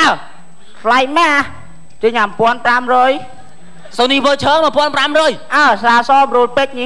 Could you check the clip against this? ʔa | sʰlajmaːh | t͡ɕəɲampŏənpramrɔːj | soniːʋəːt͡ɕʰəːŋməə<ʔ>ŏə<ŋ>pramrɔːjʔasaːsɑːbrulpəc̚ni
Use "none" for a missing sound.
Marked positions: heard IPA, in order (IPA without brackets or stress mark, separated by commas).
p, n